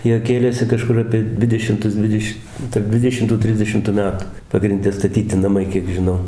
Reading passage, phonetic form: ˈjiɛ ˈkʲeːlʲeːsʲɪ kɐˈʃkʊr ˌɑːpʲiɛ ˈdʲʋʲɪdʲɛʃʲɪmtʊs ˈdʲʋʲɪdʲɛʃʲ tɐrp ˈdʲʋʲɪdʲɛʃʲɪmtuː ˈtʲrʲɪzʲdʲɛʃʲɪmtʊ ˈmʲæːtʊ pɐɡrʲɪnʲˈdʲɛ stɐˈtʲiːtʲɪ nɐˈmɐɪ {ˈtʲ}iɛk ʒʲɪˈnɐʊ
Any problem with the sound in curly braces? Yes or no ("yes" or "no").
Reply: yes